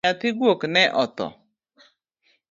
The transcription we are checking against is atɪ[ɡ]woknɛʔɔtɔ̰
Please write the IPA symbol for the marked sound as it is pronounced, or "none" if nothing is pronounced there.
ɡ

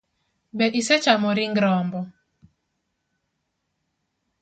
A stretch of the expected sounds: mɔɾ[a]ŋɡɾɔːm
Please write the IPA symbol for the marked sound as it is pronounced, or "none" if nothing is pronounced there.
i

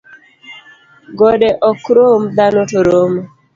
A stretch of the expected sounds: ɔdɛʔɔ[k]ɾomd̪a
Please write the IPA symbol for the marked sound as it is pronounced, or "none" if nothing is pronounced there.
k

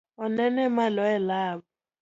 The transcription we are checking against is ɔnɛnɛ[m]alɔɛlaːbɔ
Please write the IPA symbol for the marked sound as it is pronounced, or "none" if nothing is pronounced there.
m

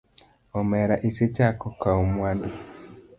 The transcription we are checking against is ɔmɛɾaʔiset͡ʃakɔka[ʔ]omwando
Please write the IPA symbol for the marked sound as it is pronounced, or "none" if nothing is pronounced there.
none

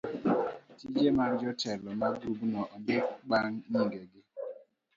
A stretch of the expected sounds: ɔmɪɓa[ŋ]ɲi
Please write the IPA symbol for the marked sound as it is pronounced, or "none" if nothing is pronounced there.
ŋ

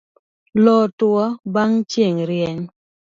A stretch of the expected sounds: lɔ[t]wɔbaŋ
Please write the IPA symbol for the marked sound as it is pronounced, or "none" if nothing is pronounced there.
t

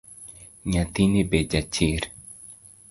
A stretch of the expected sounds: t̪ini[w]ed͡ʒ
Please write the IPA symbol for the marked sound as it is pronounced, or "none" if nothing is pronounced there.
b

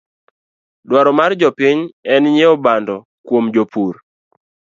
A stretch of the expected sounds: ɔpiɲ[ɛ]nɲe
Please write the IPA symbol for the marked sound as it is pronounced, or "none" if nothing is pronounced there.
ɛ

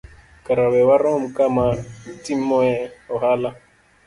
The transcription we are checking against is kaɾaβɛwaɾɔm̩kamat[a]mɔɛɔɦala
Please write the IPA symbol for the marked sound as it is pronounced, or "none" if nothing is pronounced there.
i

